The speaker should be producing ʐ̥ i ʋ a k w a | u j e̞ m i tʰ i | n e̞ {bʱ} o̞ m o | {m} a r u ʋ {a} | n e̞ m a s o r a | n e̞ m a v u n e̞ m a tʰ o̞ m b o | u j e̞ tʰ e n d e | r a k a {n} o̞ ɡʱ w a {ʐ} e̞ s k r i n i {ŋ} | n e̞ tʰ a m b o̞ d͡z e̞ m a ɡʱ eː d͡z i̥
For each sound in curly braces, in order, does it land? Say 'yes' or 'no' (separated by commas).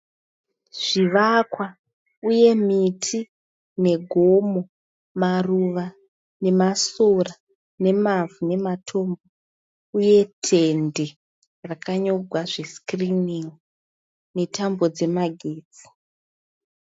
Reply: no, yes, yes, no, yes, yes